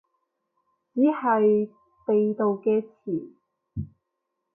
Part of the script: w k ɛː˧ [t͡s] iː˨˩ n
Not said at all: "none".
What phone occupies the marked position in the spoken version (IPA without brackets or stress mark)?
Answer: t͡sʰ